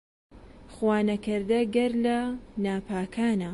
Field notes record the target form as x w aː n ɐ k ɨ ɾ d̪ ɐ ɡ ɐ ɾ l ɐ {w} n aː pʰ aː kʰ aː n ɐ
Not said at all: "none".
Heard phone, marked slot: none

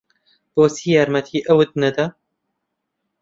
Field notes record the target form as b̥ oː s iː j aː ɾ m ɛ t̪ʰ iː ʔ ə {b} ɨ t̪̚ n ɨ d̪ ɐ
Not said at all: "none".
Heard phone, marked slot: w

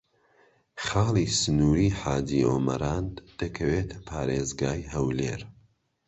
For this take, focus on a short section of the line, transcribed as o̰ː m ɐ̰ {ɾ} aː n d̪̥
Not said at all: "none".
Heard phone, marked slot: ɾ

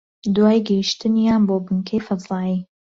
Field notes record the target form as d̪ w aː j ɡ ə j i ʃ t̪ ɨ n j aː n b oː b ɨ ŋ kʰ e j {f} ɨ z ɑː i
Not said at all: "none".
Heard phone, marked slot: f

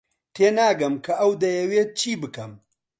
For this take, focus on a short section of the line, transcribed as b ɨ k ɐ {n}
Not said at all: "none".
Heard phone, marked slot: m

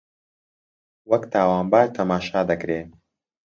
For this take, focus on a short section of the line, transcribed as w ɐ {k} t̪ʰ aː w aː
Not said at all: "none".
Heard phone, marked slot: k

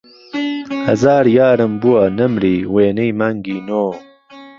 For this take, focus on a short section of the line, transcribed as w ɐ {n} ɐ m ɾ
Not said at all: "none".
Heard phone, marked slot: n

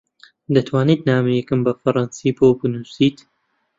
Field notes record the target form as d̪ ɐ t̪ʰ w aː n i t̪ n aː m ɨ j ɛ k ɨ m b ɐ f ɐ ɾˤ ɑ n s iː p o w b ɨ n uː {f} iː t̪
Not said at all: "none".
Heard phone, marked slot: s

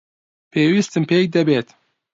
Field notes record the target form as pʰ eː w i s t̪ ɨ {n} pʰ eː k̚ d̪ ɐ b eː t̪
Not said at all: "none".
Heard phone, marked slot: m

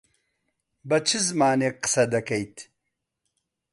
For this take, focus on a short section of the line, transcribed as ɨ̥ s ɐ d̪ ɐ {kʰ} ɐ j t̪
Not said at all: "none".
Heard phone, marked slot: k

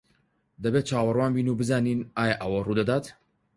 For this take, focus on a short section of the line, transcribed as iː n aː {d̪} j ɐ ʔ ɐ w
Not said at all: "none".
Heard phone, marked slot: none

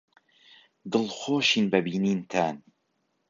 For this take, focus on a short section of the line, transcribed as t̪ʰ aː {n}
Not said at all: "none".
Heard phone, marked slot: n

